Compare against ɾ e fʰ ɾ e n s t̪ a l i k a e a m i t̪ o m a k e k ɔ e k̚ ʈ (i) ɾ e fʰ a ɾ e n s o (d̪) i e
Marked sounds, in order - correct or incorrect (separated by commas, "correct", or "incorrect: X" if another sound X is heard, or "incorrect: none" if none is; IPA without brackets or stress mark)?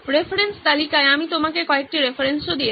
correct, correct